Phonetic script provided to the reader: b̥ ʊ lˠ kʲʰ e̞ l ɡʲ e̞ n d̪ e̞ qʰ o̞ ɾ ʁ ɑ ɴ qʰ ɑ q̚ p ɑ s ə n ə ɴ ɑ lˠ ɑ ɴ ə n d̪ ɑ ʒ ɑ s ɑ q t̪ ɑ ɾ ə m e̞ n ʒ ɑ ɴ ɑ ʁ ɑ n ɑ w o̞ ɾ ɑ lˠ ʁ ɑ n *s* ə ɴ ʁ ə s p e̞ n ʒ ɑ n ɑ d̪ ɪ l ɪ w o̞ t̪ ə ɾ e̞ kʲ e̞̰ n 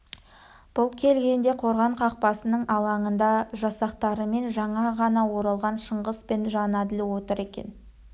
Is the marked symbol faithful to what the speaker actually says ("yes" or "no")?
no